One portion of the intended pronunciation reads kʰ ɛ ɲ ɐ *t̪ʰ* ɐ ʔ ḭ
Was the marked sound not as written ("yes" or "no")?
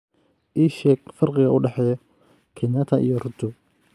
no